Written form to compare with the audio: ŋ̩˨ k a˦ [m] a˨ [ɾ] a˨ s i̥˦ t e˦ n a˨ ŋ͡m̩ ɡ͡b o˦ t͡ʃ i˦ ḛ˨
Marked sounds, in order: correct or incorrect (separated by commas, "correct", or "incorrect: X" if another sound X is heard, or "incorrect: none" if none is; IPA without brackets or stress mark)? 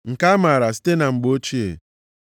correct, correct